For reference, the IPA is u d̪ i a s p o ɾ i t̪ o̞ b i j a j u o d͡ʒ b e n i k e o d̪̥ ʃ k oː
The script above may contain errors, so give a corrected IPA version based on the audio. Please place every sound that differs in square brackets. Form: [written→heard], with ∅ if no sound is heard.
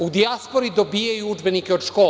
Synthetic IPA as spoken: u d̪ i a s p o ɾ i [t̪→d̪] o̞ b i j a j u [o→u] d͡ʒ b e n i k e o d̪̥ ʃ k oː